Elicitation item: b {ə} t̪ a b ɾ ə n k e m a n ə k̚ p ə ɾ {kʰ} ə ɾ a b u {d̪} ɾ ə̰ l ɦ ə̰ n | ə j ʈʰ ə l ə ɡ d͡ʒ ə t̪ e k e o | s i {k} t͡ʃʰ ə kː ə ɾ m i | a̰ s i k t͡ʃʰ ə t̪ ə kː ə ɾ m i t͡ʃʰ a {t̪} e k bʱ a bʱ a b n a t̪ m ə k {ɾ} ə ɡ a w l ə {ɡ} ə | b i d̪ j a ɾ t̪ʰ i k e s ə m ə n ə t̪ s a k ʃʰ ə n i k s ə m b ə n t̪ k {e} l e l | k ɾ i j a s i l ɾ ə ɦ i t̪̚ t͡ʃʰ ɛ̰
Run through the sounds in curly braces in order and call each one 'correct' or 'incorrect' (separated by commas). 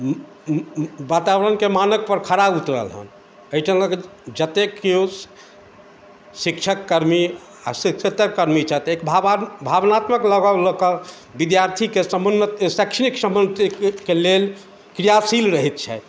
incorrect, correct, incorrect, correct, correct, incorrect, incorrect, correct